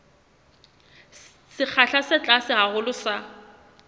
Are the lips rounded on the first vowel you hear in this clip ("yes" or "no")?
no